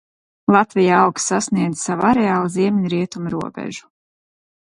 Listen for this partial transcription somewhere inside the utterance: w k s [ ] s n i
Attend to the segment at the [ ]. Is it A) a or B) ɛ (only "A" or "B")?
A